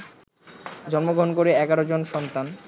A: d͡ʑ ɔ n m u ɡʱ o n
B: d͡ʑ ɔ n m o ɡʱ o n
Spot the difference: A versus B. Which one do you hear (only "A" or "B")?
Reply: B